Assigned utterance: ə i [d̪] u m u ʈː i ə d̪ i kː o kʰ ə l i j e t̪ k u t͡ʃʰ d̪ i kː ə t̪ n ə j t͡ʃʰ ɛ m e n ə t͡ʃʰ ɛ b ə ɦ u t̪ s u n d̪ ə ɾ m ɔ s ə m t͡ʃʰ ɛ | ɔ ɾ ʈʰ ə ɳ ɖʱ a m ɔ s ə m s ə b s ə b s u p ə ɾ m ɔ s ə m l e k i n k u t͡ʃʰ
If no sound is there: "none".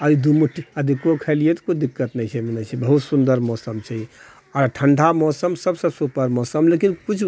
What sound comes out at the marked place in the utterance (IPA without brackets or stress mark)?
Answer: d̪